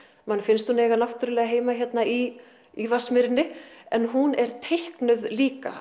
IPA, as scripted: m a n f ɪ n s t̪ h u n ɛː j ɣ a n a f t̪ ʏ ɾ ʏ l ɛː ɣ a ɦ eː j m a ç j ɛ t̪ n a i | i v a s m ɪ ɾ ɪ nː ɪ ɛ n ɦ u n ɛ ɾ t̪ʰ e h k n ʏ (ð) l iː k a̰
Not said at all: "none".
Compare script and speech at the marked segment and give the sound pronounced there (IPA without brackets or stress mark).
ð